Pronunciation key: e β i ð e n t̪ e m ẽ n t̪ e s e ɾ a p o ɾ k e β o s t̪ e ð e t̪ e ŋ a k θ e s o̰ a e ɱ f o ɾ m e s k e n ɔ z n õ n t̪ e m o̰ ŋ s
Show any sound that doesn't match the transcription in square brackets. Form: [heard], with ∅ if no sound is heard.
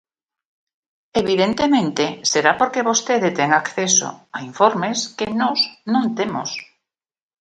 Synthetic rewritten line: e β i ð e n t̪ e m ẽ n t̪ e s e ɾ a p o ɾ k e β o s t̪ e ð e t̪ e ŋ a k θ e s o̰ a [i] ɱ f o ɾ m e s k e n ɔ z n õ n t̪ e m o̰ [∅] s

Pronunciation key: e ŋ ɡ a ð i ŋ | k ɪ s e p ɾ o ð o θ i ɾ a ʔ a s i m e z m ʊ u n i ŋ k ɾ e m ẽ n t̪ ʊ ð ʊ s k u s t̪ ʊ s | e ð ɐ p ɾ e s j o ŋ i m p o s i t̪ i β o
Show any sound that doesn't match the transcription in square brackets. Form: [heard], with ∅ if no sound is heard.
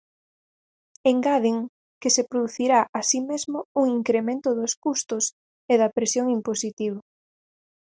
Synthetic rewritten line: e ŋ ɡ a ð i ŋ | k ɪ s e p ɾ o ð [u] θ i ɾ a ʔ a s i m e z m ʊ u [ŋ] i ŋ k ɾ e m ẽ n t̪ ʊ ð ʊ s k u s t̪ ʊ s | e ð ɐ p ɾ e s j o ŋ i m p o s i t̪ i β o

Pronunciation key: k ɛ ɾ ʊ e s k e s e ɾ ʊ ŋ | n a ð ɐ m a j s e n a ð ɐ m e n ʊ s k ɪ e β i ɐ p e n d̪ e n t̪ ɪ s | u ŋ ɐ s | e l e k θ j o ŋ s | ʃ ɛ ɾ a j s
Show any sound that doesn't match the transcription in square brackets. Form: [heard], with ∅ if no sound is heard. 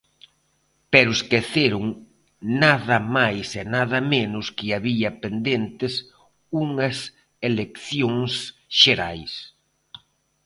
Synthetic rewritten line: [p] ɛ ɾ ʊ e s k e [θ] e ɾ ʊ ŋ | n a ð ɐ m a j s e n a ð ɐ m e n ʊ s k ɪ [a] β i ɐ p e n d̪ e n t̪ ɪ s | u ŋ ɐ s | e l e k θ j o ŋ s | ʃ [e] ɾ a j s

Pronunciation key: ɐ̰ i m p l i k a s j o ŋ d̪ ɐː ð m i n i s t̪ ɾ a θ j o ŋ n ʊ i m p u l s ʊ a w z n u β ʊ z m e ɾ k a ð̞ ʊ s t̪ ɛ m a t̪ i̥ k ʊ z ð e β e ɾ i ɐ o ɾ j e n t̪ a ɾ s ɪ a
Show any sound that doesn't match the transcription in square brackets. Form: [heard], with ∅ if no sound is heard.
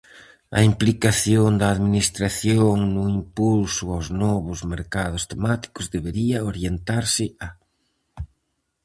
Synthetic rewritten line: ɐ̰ i m p l i k a [θ] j o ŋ d̪ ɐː ð m i n i s t̪ ɾ a θ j o ŋ n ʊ i m p u l s ʊ a w z n [ɔ] β ʊ z m e ɾ k a ð̞ ʊ s t̪ [e] m a t̪ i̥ k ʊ z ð e β e ɾ i ɐ o ɾ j e n t̪ a ɾ s ɪ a

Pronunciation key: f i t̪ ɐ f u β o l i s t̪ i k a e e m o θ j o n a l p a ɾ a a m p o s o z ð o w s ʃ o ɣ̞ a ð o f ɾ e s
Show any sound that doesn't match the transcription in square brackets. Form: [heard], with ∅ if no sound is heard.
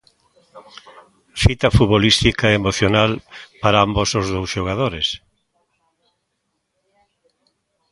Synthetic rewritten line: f i t̪ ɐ f u β o l i s t̪ i k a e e m o θ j o n a l p a ɾ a a m [b] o s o z ð o w s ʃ o ɣ̞ a ð o [∅] ɾ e s

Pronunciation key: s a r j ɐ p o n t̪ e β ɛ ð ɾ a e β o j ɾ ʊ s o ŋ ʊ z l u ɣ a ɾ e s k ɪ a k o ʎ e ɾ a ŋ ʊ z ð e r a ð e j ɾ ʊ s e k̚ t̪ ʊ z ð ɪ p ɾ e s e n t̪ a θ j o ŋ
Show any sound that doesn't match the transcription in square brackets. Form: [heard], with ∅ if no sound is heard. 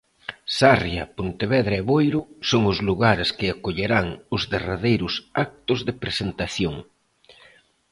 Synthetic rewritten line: s a r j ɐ p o n t̪ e β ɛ ð ɾ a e β o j ɾ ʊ s o ŋ ʊ z l u ɣ a ɾ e s k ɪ a k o ʎ e ɾ a ŋ ʊ z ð e r a ð e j ɾ ʊ s [a] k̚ t̪ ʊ z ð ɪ p ɾ e s e n t̪ a θ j o ŋ

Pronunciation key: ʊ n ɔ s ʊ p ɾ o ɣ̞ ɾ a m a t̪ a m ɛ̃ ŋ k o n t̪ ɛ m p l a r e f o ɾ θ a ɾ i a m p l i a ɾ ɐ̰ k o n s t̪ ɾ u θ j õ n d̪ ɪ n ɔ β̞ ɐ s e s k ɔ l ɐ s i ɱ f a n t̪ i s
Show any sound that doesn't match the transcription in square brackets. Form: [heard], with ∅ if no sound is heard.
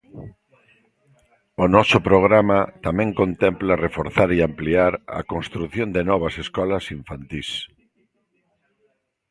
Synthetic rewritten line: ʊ n ɔ s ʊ p ɾ o ɣ̞ ɾ a m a t̪ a m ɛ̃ ŋ k o n t̪ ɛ m p l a r e f o ɾ θ a ɾ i a m p l i a ɾ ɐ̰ k o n s t̪ ɾ u θ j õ n d̪ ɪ n ɔ β̞ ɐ s e s k ɔ l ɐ s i ɱ f a n t̪ i s

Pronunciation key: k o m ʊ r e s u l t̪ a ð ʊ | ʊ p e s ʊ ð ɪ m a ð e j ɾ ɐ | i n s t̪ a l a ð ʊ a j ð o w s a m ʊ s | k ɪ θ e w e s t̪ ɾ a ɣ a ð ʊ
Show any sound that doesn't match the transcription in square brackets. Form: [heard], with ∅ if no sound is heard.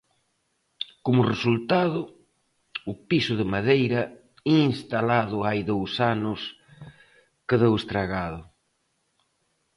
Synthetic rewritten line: k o m ʊ r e s u l t̪ a ð ʊ | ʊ p [i] s ʊ ð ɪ m a ð e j ɾ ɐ | i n s t̪ a l a ð ʊ a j ð o w s a [n] ʊ s | k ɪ [ð] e w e s t̪ ɾ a ɣ a ð ʊ

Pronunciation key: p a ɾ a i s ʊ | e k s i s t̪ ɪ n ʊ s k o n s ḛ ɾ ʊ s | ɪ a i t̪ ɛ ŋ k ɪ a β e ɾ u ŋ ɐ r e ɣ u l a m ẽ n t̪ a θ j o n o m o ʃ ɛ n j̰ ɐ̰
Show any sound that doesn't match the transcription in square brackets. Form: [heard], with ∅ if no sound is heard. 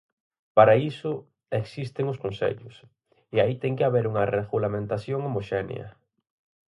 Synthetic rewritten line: p a ɾ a i s ʊ | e k s i s t̪ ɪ [ŋ] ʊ s k o n s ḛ [ʎ] ʊ s | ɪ a i t̪ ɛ ŋ k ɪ a β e ɾ u ŋ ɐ r e ɣ u l a m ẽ n t̪ a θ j o [ŋ] o m o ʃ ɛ n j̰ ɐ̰

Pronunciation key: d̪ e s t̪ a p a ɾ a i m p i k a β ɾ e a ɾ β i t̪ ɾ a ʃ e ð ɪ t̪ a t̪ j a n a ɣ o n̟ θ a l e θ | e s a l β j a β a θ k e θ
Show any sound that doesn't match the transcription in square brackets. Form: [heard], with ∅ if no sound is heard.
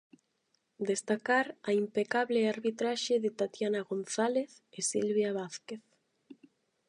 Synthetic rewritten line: d̪ e s t̪ a [k] a ɾ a i m p [e] k a β [l] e a ɾ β i t̪ ɾ a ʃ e ð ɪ t̪ a t̪ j a n a ɣ o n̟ θ a l e θ | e s [i] l β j a β a θ k e θ

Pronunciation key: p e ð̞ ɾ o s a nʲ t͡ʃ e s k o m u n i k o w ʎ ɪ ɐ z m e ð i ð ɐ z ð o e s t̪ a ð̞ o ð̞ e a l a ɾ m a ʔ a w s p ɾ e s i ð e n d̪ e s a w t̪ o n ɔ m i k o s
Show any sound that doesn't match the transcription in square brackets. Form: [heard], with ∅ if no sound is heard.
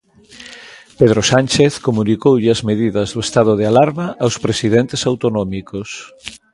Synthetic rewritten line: p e ð̞ ɾ o s a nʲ t͡ʃ e [θ] k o m u n i k o w ʎ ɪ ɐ z m e ð i ð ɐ z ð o e s t̪ a ð̞ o ð̞ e a l a ɾ m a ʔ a w s p ɾ e s i ð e n [t̪] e s a w t̪ o n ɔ m i k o s

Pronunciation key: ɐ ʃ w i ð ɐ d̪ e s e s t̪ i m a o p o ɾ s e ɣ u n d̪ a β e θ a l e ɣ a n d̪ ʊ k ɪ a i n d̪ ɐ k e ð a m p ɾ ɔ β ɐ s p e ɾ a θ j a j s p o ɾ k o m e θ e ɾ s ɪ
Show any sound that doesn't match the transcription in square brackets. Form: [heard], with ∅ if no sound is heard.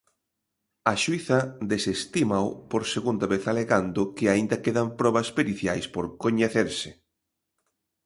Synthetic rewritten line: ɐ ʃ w i [θ] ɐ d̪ e s e s t̪ i m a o p o ɾ s e ɣ u n d̪ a β e θ a l e ɣ a n d̪ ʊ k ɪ a i n d̪ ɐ k e ð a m p ɾ ɔ β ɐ s p e ɾ [i] θ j a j s p o ɾ k o [ɲ] e θ e ɾ s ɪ

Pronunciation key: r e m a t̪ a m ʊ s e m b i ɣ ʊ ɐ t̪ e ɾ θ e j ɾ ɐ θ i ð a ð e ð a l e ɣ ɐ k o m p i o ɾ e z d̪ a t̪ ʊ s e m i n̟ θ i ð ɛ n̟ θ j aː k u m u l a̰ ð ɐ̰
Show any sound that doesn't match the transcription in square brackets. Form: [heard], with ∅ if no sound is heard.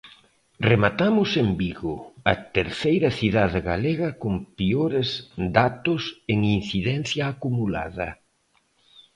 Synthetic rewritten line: r e m a t̪ a m ʊ s e m b i ɣ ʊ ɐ t̪ e ɾ θ e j ɾ ɐ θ i ð a ð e [ɣ] a l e ɣ ɐ k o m p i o ɾ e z d̪ a t̪ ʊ s e [ŋ] i n̟ θ i ð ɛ n̟ θ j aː k u m u l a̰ ð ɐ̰

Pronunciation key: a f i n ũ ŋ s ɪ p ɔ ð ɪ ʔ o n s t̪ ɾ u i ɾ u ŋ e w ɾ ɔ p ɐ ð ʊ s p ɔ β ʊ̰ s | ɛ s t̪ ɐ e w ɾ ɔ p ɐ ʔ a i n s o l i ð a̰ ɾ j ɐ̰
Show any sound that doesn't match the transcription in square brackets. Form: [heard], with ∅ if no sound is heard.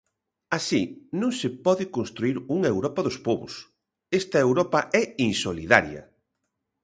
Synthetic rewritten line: a [s] i n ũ ŋ s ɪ p ɔ ð ɪ [k] o n s t̪ ɾ u i ɾ u ŋ e w ɾ ɔ p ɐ ð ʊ s p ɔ β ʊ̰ s | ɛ s t̪ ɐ e w ɾ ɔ p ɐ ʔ [ɛ] i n s o l i ð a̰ ɾ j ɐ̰

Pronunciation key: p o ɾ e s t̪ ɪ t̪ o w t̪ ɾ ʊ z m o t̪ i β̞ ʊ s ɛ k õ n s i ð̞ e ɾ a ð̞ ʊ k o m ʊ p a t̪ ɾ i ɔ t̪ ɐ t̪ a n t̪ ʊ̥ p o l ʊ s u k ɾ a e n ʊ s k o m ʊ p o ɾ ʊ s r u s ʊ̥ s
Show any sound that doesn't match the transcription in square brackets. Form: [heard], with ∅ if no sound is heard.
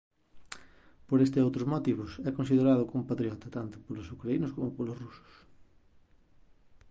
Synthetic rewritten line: p o ɾ e s t̪ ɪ [∅] o w t̪ ɾ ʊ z m o t̪ i β̞ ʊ s ɛ k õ n s i ð̞ e ɾ a ð̞ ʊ k o m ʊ p a t̪ ɾ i ɔ t̪ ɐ t̪ a n t̪ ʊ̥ p o l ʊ s u k ɾ a [i] n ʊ s k o m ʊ p o [l] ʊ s r u s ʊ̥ s

